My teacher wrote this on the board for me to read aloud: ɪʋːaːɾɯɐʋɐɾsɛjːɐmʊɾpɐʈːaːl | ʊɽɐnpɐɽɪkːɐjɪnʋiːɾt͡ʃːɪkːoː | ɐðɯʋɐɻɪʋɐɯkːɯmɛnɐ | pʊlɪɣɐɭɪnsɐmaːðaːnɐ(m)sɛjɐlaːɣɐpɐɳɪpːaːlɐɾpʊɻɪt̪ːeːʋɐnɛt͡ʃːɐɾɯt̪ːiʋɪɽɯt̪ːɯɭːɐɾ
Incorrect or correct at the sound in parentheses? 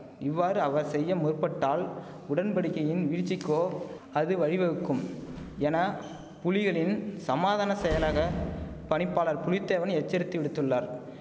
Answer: incorrect: none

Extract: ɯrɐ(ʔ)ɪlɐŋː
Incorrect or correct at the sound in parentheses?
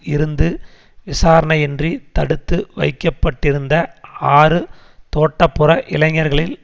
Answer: correct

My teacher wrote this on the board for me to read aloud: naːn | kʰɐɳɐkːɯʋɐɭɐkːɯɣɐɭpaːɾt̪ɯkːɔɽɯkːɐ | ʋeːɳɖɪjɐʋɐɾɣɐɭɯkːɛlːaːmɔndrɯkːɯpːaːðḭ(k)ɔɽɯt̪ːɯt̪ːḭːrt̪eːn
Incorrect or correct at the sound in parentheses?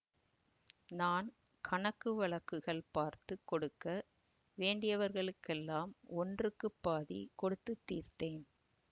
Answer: correct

